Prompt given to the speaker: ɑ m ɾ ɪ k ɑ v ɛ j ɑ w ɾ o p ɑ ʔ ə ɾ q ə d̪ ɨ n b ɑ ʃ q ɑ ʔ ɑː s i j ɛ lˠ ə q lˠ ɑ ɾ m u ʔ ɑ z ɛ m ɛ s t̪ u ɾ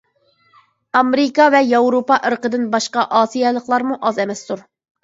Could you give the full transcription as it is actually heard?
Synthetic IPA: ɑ m ɾ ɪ k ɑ v ɛ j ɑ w ɾ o p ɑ ʔ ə ɾ q ə d̪ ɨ n b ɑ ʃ q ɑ ʔ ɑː s i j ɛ lˠ ə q lˠ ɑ ɾ m u ʔ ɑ z ɛ m ɛ s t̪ u ɾ